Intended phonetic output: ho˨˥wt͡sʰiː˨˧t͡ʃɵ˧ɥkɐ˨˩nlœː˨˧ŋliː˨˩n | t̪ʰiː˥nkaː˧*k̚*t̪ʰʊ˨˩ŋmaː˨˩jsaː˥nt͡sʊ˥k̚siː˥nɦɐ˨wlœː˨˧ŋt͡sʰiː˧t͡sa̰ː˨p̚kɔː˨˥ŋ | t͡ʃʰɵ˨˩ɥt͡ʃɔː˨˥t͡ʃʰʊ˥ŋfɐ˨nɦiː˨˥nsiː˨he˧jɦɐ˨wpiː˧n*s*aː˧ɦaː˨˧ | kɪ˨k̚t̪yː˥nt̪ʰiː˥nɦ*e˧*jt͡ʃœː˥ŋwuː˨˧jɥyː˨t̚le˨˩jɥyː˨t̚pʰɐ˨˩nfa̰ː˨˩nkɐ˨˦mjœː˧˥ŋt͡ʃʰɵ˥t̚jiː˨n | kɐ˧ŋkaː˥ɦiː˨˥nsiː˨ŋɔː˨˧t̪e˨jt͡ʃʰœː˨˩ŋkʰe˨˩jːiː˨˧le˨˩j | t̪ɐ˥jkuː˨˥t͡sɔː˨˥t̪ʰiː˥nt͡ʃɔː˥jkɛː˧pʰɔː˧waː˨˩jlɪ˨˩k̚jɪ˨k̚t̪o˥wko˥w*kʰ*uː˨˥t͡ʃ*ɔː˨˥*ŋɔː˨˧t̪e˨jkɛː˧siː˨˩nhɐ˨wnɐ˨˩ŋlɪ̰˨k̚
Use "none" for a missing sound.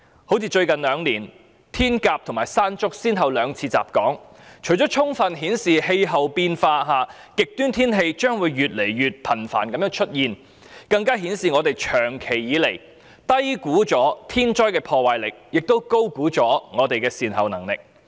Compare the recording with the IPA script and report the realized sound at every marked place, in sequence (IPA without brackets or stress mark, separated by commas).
p̚, f, e˧, k, ɔː˨˥